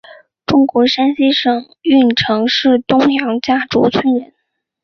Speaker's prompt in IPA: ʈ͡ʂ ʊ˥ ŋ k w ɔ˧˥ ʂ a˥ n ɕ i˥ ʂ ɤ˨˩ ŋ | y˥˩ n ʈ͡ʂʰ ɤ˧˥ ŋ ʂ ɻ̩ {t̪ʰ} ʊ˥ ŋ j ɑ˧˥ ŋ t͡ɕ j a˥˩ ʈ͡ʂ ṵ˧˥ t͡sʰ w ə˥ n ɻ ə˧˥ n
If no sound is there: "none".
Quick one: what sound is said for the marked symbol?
t̪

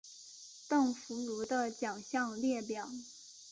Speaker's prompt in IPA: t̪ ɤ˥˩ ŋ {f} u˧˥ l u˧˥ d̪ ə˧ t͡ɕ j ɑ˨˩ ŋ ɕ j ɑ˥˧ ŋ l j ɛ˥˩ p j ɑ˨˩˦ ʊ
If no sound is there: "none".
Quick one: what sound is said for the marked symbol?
f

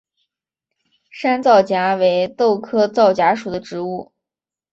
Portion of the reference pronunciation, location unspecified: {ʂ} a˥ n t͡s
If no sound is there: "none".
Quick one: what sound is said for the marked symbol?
ʂ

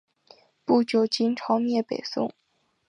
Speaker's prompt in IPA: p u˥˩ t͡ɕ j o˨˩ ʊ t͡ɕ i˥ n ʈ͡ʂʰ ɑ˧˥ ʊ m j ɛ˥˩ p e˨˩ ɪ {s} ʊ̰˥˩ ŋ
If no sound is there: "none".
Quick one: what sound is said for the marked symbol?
s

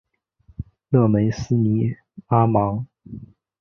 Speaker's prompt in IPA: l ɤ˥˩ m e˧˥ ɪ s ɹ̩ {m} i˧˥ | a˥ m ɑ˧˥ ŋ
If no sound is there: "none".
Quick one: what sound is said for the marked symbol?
n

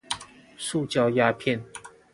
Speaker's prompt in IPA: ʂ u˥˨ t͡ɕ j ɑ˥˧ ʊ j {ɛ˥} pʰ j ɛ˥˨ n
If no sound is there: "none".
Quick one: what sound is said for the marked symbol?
a˥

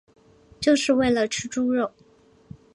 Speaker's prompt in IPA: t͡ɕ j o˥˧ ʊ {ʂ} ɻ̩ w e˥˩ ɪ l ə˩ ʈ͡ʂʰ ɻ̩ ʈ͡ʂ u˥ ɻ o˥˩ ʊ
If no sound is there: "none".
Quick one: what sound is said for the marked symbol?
ʂ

